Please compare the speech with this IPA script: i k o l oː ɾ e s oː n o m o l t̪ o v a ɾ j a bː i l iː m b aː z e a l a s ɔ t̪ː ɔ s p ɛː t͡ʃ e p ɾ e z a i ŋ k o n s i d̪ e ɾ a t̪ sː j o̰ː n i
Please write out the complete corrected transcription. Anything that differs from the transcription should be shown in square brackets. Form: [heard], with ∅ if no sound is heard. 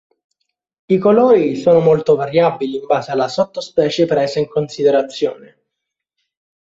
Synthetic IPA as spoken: i k o l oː ɾ [i] s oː n o m o l t̪ o v a ɾ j a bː i l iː m b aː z e a l a s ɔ t̪ː [o] s p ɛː t͡ʃ e p ɾ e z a i ŋ k o n s i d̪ e ɾ a t̪ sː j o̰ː n [e]